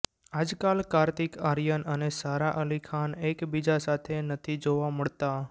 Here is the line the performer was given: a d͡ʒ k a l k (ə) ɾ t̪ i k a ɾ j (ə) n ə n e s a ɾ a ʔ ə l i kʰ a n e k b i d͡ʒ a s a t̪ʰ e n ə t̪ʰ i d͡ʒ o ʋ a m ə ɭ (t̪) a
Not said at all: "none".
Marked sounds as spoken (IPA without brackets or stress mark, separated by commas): a, ə, t̪